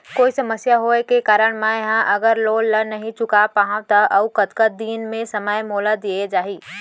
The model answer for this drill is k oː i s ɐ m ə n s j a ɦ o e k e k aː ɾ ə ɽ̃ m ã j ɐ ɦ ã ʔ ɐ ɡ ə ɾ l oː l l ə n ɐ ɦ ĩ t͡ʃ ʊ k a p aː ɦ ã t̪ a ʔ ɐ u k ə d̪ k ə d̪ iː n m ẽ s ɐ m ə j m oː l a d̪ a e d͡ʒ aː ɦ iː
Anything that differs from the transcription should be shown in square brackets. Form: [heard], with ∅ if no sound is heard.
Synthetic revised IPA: k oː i s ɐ m ə [∅] s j a ɦ o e k e k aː ɾ ə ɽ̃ m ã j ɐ ɦ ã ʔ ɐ ɡ ə ɾ l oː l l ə n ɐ ɦ ĩ t͡ʃ ʊ k a p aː ɦ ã t̪ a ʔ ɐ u k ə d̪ k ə d̪ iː n m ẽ s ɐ m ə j m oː l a d̪ [i] e d͡ʒ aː ɦ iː